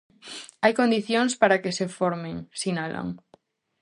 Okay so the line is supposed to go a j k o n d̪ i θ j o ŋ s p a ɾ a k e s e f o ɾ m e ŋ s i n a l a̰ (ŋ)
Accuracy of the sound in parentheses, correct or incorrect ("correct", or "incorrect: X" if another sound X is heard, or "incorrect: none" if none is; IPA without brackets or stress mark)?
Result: correct